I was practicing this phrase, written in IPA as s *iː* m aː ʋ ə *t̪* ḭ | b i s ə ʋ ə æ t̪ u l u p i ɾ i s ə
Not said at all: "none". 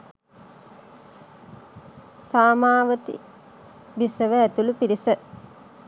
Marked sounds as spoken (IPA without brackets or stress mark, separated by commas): aː, t̪